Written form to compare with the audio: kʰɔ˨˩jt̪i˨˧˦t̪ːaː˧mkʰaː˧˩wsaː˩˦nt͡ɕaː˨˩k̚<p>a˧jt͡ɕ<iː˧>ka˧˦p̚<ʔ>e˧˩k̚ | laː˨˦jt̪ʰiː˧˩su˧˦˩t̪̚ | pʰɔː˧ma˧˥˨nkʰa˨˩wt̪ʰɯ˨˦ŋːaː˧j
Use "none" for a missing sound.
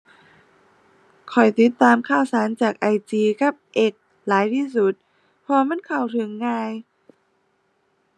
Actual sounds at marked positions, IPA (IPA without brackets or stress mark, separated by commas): ʔ, iː˧, ʔ